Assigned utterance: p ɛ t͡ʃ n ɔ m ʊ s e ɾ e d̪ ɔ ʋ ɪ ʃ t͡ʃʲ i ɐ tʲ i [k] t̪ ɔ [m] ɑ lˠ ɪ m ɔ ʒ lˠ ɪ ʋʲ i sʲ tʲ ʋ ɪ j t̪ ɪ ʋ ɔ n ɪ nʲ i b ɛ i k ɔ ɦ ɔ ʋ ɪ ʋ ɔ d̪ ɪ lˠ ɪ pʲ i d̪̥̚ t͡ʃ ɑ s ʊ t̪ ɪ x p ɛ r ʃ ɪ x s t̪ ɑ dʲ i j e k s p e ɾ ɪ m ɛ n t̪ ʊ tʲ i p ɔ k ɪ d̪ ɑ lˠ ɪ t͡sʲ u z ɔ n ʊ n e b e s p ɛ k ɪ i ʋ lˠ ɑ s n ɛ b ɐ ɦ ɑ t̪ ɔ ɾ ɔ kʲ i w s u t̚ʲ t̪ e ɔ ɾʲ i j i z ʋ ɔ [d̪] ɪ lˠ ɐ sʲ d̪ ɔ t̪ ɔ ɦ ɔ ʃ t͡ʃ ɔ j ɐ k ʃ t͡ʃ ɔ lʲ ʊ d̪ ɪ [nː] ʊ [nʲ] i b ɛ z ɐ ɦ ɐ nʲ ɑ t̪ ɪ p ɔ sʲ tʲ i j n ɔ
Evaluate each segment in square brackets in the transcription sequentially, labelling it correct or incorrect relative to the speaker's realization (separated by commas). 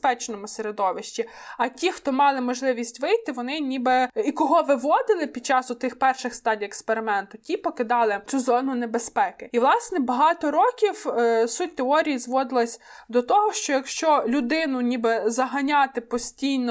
incorrect, correct, correct, incorrect, correct